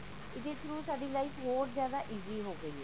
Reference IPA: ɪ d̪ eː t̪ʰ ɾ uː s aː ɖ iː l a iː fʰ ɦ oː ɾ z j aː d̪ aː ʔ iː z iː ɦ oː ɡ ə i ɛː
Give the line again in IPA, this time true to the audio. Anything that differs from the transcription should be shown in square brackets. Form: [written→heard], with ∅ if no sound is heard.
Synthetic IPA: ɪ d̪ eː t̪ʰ ɾ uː s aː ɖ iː l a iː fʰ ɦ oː ɾ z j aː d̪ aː ʔ iː z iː ɦ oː ɡ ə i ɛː

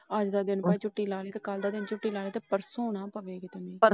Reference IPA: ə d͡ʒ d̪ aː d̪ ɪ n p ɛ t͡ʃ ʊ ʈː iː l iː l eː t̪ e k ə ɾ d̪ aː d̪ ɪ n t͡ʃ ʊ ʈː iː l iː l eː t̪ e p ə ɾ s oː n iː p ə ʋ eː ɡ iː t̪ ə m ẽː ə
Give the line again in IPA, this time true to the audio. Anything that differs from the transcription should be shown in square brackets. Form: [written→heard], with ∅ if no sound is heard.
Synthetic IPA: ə d͡ʒ d̪ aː d̪ ɪ n p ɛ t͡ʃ ʊ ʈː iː l [iː→aː] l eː t̪ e k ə [ɾ→l] d̪ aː d̪ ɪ n t͡ʃ ʊ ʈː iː l [iː→aː] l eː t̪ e p ə ɾ s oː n [iː→aː] p ə ʋ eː ɡ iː t̪ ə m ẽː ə

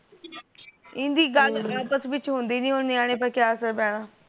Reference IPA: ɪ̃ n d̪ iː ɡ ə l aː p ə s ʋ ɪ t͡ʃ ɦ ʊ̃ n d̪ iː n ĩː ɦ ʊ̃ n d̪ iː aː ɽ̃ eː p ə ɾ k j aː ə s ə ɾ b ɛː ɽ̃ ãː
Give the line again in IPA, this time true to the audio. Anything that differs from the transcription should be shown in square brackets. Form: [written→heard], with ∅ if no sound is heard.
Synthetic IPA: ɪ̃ n d̪ iː ɡ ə l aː p ə s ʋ ɪ t͡ʃ ɦ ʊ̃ n d̪ iː n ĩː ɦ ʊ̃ n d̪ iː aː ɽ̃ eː p ə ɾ k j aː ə s ə ɾ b ɛː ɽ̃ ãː

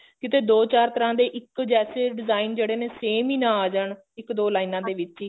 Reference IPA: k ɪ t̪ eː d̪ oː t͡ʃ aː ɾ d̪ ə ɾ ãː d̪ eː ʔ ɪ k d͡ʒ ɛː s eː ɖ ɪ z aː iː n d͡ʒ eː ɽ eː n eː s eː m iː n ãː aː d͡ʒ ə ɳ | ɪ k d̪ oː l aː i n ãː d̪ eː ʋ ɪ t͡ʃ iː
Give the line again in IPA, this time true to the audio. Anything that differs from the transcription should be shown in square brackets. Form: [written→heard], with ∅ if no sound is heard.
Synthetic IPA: k ɪ t̪ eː d̪ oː t͡ʃ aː ɾ [d̪→t̪] ə ɾ ãː d̪ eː ʔ ɪ k d͡ʒ ɛː s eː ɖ ɪ z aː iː n d͡ʒ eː ɽ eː n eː s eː m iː n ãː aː d͡ʒ ə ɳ | ɪ k d̪ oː l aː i n ãː d̪ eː ʋ ɪ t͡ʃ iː

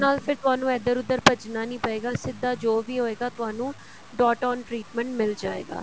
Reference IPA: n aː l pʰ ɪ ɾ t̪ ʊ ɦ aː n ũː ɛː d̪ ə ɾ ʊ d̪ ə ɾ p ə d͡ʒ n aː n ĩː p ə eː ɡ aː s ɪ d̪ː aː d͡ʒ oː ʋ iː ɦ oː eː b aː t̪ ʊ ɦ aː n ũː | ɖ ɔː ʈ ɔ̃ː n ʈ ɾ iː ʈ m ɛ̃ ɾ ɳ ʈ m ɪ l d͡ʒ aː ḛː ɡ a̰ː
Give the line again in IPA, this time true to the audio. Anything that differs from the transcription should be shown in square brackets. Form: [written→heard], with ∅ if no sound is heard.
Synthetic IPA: n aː l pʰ ɪ ɾ t̪ ʊ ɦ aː n ũː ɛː d̪ ə ɾ ʊ d̪ ə ɾ p ə d͡ʒ n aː n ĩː p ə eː ɡ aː s ɪ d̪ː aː d͡ʒ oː ʋ iː ɦ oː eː [b→ɡ] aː t̪ ʊ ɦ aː n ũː | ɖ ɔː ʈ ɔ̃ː n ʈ ɾ iː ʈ m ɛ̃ [ɾ→∅] ɳ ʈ m ɪ l d͡ʒ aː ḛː ɡ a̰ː

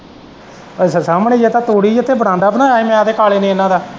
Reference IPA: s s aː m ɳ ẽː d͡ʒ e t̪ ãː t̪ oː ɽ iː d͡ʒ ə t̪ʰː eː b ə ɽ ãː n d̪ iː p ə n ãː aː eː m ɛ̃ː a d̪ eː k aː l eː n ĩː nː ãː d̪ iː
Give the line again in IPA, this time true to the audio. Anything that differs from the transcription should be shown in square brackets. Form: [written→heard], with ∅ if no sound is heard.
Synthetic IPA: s s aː m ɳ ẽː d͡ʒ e t̪ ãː t̪ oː ɽ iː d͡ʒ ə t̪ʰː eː b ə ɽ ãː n d̪ [iː→aː] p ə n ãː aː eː m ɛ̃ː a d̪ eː k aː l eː n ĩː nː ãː d̪ [iː→aː]

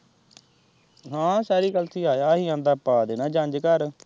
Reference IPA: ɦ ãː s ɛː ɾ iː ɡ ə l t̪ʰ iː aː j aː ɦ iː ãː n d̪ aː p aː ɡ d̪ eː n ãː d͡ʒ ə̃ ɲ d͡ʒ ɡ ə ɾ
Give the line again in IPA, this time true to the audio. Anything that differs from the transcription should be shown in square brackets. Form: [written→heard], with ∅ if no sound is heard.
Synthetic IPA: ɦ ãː s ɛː ɾ iː ɡ ə l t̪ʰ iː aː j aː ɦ iː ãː n d̪ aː p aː [ɡ→∅] d̪ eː n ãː d͡ʒ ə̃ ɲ d͡ʒ [ɡ→k] ə ɾ

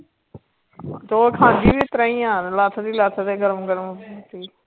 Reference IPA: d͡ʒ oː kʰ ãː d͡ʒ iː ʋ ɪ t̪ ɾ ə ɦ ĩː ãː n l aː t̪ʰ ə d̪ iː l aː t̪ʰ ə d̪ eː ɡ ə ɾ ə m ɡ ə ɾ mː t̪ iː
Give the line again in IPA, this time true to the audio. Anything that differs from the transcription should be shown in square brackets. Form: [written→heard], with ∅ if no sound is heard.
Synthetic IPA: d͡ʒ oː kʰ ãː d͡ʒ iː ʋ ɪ t̪ ɾ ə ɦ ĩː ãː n l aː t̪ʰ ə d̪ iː l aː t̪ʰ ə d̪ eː ɡ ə ɾ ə m ɡ ə ɾ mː t̪ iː

